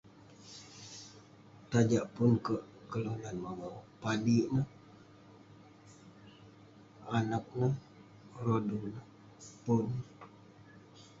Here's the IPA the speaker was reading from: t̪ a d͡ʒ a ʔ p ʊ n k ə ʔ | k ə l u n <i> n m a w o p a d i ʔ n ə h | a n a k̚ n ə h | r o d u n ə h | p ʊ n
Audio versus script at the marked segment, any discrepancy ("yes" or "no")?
yes